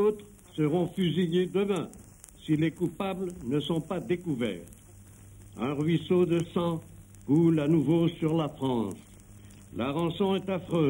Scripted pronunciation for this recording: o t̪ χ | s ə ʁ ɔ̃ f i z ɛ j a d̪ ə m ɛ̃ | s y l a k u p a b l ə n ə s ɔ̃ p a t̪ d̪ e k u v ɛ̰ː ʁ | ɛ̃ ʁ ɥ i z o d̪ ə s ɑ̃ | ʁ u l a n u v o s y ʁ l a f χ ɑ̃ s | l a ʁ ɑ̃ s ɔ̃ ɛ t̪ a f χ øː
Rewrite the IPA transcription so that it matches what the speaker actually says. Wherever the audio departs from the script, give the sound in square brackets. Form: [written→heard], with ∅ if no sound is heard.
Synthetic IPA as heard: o t̪ χ | s ə ʁ ɔ̃ f [i→y] z [ɛ→i] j [a→e] d̪ ə m ɛ̃ | s [y→i] l [a→e] k u p a b l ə n ə s ɔ̃ p a [t̪→∅] d̪ e k u v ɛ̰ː ʁ | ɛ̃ ʁ ɥ i [z→s] o d̪ ə s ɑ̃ | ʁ u l a n u v o s y ʁ l a f χ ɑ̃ s | l a ʁ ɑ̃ s ɔ̃ ɛ t̪ a f χ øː